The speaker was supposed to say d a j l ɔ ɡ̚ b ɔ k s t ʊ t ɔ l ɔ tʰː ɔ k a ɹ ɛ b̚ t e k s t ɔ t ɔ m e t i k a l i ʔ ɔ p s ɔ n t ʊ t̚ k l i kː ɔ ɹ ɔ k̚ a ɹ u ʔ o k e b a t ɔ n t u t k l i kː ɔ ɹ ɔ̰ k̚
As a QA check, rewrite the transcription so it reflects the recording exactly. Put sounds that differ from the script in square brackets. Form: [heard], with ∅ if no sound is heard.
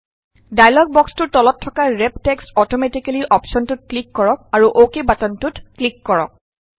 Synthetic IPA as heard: d a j l ɔ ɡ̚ b ɔ k s t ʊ t ɔ l ɔ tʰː ɔ k a ɹ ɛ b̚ t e k s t ɔ t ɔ m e t i k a l i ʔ ɔ p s ɔ n t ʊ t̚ k l i kː ɔ ɹ ɔ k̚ a ɹ u ʔ o k e b a t ɔ n t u t k l i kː ɔ ɹ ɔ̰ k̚